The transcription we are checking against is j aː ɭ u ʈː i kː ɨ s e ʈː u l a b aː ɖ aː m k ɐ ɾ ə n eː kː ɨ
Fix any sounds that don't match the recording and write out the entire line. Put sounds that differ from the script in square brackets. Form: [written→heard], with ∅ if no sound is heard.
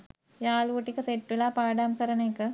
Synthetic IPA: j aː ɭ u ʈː i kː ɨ s e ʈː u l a [b→p] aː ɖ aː m k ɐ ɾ [ə→ɐ] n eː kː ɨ